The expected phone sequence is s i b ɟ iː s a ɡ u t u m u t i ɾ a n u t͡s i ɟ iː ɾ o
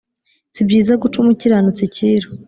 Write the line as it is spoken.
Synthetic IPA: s i b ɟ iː z a ɡ u t͡ʃ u m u c i ɾ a n u t͡s i c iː ɾ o